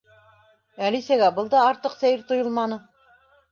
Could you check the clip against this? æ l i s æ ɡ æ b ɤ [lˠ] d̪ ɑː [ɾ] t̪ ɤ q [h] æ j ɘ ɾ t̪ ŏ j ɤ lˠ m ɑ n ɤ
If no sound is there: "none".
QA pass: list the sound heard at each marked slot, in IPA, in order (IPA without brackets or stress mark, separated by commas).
lˠ, ɾ, s